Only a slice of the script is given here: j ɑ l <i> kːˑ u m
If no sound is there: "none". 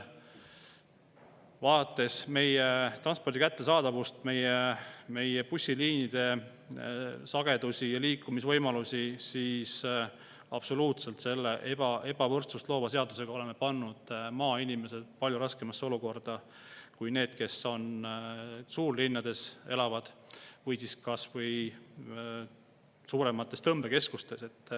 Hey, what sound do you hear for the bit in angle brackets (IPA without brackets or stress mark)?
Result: iː